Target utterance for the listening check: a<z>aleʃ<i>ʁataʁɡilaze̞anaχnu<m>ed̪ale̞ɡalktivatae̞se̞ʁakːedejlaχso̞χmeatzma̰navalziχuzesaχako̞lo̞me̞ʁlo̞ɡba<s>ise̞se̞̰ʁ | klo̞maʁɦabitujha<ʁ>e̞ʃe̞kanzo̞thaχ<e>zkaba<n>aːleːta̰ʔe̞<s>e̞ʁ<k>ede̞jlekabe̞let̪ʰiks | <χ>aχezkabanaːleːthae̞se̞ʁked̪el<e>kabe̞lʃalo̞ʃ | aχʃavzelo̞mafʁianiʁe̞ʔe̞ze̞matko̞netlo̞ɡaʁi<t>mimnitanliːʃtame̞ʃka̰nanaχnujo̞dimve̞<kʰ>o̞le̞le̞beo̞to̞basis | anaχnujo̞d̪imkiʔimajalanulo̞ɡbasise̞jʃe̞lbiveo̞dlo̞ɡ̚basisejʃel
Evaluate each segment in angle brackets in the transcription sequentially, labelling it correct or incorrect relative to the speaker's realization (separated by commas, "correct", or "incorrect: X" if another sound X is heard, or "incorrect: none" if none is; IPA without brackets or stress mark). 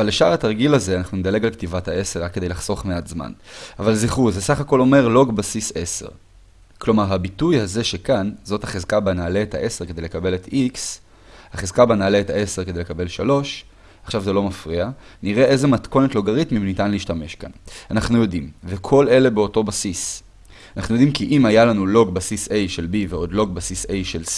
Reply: incorrect: v, incorrect: a, incorrect: n, correct, incorrect: z, correct, correct, correct, correct, incorrect: h, correct, correct, correct